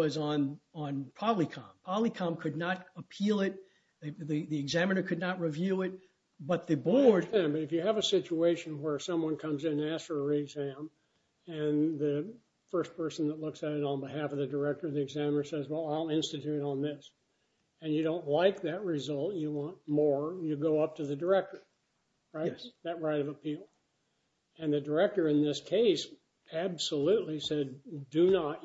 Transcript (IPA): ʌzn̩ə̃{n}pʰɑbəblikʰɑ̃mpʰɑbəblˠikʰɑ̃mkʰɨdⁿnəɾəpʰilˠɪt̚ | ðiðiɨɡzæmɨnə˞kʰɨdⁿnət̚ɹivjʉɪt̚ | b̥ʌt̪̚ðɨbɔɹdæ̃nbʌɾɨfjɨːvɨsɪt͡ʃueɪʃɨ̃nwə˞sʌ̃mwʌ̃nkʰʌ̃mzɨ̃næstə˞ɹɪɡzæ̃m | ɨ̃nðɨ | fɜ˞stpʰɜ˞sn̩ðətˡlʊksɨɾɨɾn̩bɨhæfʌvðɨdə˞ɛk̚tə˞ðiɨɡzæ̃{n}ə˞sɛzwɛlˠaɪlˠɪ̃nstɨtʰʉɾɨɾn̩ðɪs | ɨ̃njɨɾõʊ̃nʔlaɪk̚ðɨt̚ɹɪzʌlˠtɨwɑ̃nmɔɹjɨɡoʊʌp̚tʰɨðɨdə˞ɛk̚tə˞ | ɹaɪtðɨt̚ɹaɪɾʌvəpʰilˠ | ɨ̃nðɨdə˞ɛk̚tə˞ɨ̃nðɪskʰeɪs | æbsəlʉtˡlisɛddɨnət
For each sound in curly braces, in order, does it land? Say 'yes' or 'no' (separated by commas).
yes, no